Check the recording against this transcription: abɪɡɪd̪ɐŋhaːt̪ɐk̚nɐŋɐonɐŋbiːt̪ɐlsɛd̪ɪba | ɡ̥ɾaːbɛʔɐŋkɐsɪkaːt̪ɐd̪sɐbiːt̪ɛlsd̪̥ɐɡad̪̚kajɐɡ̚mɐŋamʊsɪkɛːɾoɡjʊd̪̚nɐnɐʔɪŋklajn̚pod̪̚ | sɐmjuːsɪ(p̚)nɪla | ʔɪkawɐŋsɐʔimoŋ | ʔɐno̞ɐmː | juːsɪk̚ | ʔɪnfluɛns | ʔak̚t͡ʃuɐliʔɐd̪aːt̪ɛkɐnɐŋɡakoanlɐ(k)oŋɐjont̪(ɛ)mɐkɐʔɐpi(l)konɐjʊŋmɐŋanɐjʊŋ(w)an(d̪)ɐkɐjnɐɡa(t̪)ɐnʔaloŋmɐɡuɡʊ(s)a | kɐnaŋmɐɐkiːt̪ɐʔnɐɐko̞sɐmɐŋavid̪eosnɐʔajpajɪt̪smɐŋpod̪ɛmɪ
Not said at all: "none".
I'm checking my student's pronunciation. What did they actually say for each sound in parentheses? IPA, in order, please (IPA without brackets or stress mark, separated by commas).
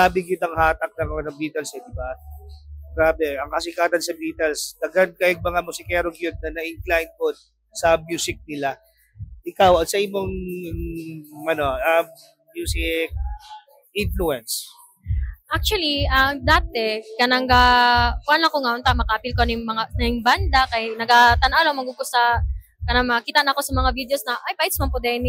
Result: k̚, k, a, l, b, d̪, t̪, s